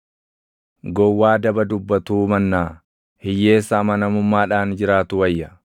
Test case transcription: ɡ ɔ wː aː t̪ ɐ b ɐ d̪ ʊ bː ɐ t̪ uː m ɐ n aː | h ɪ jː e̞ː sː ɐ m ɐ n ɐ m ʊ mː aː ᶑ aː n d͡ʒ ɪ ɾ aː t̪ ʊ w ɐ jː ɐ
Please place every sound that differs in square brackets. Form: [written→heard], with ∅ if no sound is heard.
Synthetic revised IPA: ɡ ɔ wː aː [t̪→d̪] ɐ b ɐ d̪ ʊ bː ɐ t̪ uː m ɐ [n→nː] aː | h ɪ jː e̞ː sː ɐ m ɐ n ɐ m ʊ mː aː ᶑ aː n d͡ʒ ɪ ɾ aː t̪ ʊ w ɐ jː ɐ